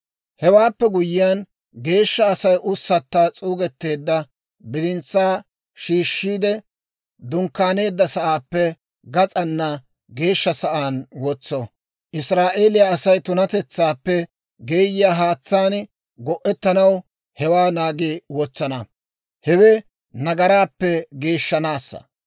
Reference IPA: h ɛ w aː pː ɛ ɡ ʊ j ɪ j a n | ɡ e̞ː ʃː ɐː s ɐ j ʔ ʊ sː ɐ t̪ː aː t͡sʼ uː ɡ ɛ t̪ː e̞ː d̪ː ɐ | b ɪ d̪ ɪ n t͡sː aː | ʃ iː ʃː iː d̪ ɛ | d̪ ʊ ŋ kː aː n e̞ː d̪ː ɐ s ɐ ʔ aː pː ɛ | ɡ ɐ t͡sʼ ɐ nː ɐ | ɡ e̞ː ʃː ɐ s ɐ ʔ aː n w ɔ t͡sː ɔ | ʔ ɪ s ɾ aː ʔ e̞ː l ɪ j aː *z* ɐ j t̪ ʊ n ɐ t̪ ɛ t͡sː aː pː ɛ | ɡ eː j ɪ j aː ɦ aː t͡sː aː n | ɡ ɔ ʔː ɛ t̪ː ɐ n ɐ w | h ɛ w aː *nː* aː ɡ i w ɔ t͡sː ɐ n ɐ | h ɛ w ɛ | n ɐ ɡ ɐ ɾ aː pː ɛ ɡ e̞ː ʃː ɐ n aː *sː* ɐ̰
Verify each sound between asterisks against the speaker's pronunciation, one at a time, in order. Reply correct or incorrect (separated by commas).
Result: incorrect, incorrect, correct